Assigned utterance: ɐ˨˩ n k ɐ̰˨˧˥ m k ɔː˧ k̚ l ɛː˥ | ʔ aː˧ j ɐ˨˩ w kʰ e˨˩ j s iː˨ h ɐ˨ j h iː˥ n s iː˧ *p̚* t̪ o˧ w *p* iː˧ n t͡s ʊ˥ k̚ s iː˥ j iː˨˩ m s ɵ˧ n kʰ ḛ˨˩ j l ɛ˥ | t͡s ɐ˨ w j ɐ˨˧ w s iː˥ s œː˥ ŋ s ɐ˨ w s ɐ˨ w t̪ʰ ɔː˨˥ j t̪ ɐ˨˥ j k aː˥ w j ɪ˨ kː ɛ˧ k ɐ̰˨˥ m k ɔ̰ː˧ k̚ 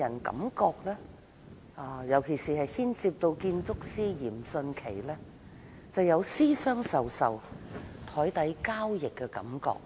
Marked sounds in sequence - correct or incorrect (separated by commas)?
correct, incorrect